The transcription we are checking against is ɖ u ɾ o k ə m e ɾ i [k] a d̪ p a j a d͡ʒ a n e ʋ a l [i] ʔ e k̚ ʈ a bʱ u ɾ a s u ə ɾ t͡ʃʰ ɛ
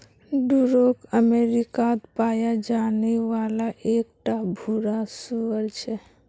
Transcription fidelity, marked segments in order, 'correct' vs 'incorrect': correct, incorrect: a

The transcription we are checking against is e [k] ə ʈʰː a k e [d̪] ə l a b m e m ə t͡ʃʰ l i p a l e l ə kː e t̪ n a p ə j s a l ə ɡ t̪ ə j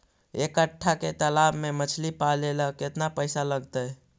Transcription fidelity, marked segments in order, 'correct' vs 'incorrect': correct, incorrect: t̪

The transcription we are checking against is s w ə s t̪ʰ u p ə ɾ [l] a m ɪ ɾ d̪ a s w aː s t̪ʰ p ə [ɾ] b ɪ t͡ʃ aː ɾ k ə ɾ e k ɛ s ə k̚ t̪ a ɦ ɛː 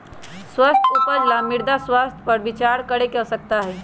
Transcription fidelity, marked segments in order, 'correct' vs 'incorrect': correct, correct

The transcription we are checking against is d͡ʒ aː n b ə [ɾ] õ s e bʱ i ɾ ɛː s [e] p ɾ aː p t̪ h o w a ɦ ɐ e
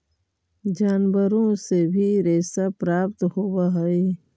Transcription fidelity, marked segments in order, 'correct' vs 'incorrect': correct, incorrect: a

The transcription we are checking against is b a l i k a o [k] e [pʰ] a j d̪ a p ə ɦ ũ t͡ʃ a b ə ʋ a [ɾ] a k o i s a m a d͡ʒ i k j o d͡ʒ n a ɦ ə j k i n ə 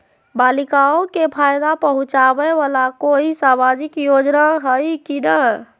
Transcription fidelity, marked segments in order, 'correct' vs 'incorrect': correct, correct, incorrect: l

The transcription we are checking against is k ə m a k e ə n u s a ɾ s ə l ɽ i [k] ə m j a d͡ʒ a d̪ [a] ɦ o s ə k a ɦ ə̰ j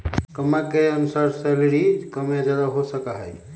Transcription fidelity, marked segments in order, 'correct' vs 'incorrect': correct, correct

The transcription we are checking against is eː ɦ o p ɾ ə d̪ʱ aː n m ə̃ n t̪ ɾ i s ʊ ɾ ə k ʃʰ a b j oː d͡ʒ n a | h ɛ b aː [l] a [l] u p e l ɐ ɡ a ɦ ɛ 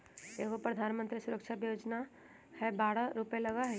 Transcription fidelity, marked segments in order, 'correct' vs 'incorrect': incorrect: ɽ, incorrect: ɾ

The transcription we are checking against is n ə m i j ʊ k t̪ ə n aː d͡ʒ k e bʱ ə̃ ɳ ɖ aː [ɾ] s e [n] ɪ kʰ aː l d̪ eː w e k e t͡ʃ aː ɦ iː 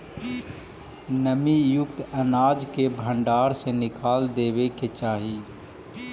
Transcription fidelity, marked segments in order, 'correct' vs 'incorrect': correct, correct

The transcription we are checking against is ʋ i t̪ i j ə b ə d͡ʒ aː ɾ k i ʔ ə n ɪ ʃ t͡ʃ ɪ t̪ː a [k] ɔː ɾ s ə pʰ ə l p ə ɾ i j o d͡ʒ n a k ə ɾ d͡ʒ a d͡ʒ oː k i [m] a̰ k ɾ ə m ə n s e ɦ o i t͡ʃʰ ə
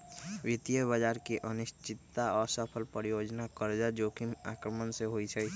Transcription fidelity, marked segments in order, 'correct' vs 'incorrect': incorrect: none, correct

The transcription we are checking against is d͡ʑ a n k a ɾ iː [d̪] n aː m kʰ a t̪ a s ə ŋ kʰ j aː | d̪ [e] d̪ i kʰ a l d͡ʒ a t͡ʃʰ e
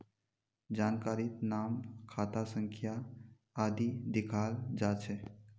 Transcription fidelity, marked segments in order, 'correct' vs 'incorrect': incorrect: t̪, incorrect: i

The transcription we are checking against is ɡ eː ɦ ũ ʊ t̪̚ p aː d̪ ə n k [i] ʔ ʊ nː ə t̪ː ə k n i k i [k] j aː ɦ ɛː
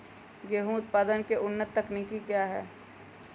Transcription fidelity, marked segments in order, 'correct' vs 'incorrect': incorrect: e, correct

